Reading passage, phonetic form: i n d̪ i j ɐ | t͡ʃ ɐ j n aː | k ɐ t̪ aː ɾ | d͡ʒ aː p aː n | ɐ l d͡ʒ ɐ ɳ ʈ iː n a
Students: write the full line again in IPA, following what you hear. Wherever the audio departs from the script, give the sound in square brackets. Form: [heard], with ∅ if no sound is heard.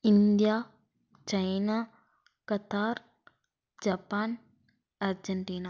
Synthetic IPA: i n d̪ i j [a] | t͡ʃ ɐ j n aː | k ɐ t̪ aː ɾ | d͡ʒ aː p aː n | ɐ [ɾ] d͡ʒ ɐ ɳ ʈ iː n a